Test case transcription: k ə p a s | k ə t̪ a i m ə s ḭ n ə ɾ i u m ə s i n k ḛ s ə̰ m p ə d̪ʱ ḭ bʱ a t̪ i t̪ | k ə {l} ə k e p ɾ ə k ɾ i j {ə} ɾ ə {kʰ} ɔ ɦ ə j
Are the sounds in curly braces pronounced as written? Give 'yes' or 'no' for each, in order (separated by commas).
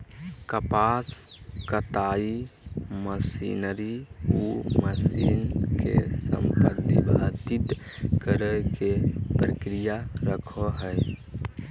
no, no, yes